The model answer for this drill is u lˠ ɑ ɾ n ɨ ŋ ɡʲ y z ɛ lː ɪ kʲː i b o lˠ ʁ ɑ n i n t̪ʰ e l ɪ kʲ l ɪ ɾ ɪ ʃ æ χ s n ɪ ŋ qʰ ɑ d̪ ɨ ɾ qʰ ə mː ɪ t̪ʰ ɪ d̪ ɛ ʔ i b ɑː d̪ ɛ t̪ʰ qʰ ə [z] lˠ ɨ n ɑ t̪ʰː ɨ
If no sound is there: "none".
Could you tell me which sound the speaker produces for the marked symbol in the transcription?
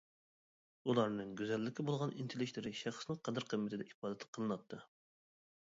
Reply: none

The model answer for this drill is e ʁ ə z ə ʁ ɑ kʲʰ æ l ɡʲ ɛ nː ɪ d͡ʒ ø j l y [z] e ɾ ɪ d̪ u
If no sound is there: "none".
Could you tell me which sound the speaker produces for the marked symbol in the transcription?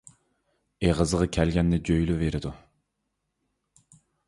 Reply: v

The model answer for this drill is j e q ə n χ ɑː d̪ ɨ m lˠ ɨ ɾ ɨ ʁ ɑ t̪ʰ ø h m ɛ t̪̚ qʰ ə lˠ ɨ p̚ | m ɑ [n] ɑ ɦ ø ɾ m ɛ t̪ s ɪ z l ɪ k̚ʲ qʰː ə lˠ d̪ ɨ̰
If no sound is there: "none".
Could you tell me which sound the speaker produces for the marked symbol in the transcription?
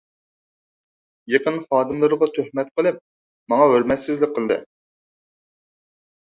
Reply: ŋ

